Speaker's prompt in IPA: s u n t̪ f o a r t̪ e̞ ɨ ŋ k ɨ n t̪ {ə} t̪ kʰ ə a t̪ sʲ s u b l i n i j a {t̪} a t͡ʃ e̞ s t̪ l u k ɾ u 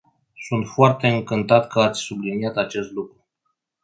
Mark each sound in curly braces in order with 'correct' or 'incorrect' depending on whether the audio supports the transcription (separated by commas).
incorrect, correct